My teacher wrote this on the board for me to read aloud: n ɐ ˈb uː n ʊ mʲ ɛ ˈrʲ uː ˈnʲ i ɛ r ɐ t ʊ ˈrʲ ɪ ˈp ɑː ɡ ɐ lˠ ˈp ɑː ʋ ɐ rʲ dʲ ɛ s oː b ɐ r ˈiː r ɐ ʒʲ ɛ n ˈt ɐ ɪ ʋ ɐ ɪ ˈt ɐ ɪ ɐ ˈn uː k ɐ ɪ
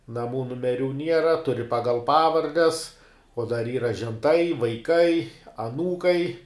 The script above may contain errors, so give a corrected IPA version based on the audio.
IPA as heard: n ɐ ˈm uː n ʊ mʲ ɛ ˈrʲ uː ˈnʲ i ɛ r ɐ t ʊ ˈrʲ ɪ ˈp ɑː ɡ ɐ lˠ ˈp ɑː ʋ ɐ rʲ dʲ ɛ s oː d ɐ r ˈiː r ɐ ʒʲ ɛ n ˈt ɐ ɪ ʋ ɐ ɪ ˈk ɐ ɪ ɐ ˈn uː k ɐ ɪ